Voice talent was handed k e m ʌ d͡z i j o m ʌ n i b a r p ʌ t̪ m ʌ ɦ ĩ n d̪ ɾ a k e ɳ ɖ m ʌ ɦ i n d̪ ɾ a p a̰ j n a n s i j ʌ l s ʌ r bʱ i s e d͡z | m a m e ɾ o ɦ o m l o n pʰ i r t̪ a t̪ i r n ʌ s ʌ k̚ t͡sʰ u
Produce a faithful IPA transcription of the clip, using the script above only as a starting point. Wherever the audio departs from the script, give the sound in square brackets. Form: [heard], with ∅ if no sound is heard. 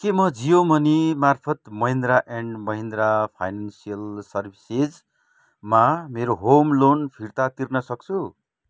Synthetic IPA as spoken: k e m ʌ d͡z i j o m ʌ n i [m] a r [pʰ] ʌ t̪ m ʌ ɦ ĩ n d̪ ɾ a [ʔ] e ɳ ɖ m ʌ ɦ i n d̪ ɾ a [pʰ] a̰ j n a n s i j ʌ l s ʌ r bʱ i s e d͡z | m a m e ɾ o ɦ o m l o n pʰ i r t̪ a t̪ i r n ʌ s ʌ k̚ t͡sʰ u